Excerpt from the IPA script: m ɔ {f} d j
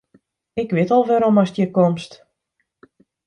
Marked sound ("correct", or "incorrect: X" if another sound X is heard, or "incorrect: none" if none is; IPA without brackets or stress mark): incorrect: s